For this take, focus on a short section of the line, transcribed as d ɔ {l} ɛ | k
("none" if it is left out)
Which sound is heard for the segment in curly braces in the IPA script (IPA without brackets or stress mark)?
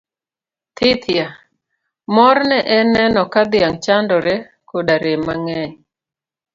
ɾ